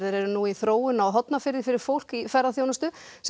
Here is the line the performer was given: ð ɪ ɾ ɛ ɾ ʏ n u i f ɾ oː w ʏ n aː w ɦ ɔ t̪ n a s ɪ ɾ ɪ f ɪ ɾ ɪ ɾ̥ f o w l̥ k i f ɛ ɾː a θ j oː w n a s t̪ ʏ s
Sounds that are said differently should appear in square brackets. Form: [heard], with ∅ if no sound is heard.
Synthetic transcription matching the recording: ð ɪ ɾ ɛ ɾ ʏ n u i [θ] ɾ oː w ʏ n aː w ɦ ɔ t̪ n a [f] ɪ ɾ ɪ f ɪ ɾ ɪ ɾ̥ f o w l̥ k i f ɛ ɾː a θ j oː w n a s t̪ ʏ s